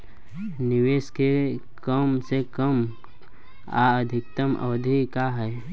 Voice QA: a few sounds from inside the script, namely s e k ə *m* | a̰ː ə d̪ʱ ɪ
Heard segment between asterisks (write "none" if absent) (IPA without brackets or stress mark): m